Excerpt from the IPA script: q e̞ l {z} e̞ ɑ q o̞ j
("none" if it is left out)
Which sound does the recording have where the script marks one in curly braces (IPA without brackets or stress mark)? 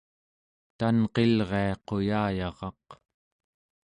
ʁ